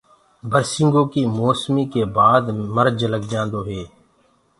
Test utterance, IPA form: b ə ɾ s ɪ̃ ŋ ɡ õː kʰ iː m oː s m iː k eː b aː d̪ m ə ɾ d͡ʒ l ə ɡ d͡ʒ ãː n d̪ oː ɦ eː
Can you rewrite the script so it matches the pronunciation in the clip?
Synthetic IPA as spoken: b ə ɾ s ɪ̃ ŋ ɡ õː k iː m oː s m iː k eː b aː d̪ m ə ɾ d͡ʒ l ə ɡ d͡ʒ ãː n d̪ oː ɦ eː